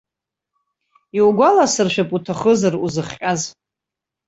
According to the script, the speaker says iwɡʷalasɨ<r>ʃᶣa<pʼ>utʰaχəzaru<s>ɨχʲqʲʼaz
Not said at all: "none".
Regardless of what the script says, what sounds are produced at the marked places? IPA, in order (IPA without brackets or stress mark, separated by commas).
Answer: r, pʼ, z